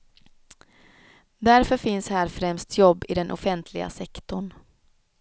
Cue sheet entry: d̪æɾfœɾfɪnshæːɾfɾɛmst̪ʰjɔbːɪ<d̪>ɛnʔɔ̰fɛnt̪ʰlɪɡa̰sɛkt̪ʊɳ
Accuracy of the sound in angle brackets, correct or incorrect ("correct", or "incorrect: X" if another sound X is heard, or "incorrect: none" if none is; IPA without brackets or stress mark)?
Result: correct